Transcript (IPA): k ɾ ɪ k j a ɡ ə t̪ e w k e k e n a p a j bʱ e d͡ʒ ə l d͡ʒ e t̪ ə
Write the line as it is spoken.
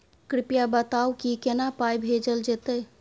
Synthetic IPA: k ɾ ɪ p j a b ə t̪ a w k i k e n a p a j bʱ e d͡ʒ ə l d͡ʒ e t̪ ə

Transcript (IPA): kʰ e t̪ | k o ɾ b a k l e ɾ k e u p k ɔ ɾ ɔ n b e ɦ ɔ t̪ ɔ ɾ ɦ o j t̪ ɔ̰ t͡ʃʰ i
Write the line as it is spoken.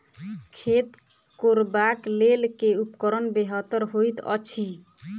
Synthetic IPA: kʰ e t̪ | k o ɾ b a k l e l k e u p k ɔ ɾ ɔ n b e ɦ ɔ t̪ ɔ ɾ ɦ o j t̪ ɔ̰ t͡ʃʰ i

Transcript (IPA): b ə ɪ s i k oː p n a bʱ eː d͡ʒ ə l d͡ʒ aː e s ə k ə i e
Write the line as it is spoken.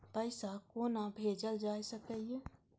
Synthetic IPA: p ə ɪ s a k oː n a bʱ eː d͡ʒ ə l d͡ʒ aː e s ə k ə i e

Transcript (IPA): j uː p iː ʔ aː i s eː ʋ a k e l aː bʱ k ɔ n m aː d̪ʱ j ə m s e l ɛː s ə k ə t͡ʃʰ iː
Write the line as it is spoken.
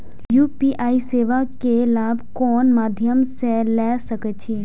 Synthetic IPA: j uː p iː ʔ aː i s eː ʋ a k e l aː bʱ k ɔː n m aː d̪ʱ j ə m s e l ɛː s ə k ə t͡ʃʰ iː

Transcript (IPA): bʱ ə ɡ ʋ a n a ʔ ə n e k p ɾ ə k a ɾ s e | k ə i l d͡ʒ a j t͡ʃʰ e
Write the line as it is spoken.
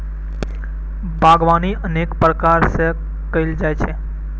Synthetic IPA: bʱ a ɡ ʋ a n i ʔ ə n e k p ɾ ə k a ɾ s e | k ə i l d͡ʒ a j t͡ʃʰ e

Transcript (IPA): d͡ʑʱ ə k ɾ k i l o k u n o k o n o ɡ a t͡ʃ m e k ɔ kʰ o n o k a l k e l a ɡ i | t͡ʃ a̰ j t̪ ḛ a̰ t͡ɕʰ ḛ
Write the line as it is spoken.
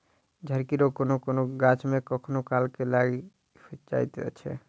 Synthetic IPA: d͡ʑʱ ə ɾ k i ɾ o k o n o k o n o ɡ a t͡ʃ m e k ɔ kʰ o n o k a l k e l a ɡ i | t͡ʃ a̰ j t̪ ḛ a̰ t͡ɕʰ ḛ

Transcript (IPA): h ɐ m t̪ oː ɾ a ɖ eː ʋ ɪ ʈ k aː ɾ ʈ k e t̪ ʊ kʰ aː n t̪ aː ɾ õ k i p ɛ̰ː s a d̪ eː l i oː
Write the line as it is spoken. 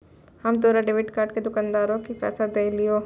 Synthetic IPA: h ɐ m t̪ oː ɾ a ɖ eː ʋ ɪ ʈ k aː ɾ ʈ k e d̪ ʊ k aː n d̪ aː ɾ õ k i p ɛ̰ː s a d̪ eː l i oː

